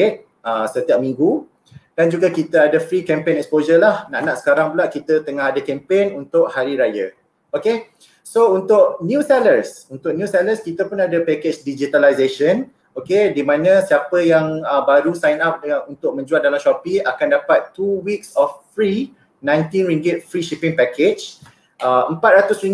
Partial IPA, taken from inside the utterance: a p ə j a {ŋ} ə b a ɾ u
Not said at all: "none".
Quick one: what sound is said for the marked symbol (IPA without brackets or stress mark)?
ŋ